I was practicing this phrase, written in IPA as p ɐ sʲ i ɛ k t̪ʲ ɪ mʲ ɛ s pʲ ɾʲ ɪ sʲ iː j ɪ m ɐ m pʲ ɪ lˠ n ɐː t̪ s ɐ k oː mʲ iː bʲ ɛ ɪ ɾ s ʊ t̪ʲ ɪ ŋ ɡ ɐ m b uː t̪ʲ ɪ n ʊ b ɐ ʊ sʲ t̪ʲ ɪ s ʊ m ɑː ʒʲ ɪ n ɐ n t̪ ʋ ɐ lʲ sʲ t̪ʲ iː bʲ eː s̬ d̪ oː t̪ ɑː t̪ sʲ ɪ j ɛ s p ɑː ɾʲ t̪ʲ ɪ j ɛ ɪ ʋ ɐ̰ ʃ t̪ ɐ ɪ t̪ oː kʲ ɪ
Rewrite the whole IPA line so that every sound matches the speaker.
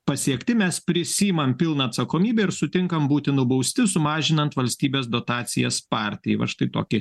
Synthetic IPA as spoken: p ɐ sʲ i ɛ k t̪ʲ ɪ mʲ ɛ s pʲ ɾʲ ɪ sʲ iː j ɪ m ɐ m pʲ ɪ lˠ n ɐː t̪ s ɐ k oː mʲ iː bʲ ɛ ɪ ɾ s ʊ t̪ʲ ɪ ŋ k ɐ m b uː t̪ʲ ɪ n ʊ b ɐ ʊ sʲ t̪ʲ ɪ s ʊ m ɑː ʒʲ ɪ n ɐ n t̪ ʋ ɐ lʲ sʲ t̪ʲ iː bʲ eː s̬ d̪ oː t̪ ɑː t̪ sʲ ɪ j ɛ s p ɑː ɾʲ t̪ʲ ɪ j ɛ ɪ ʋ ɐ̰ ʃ t̪ ɐ ɪ t̪ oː kʲ ɪ